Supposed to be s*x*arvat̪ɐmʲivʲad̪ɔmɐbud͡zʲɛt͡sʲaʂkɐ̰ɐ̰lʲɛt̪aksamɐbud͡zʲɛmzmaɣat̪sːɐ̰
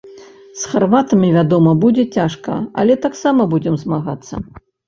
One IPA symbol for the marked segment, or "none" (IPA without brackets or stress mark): x